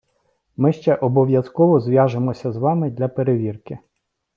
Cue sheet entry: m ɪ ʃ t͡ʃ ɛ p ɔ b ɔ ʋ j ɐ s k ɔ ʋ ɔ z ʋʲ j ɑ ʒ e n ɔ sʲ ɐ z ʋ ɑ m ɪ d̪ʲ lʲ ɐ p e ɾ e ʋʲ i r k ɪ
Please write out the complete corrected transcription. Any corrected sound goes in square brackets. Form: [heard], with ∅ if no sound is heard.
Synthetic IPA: m ɪ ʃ t͡ʃ ɛ [ʔ] ɔ b ɔ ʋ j ɐ s k ɔ ʋ ɔ z ʋʲ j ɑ ʒ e [m] ɔ sʲ ɐ z ʋ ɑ m ɪ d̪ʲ lʲ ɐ p e ɾ e ʋʲ i r k ɪ